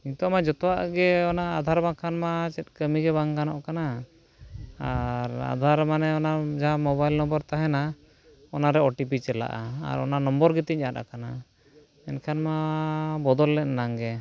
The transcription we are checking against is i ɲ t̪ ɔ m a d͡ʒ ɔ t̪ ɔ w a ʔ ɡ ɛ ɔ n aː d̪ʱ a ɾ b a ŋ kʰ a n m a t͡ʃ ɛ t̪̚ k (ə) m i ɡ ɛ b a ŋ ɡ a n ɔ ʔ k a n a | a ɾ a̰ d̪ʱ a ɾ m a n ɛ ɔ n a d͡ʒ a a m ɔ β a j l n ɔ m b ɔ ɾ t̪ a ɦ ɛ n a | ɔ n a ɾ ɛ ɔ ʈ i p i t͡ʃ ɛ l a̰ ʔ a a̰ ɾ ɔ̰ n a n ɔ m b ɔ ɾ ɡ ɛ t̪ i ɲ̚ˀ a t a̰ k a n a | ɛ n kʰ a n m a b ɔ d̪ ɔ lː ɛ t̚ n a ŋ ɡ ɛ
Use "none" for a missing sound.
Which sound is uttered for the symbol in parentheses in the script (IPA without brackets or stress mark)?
ə